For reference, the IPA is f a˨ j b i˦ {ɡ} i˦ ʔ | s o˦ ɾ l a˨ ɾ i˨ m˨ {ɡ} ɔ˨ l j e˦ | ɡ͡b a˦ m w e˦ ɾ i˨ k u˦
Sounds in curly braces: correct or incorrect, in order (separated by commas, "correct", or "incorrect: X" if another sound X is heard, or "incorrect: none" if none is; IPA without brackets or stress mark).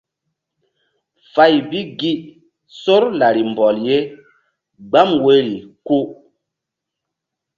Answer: correct, incorrect: b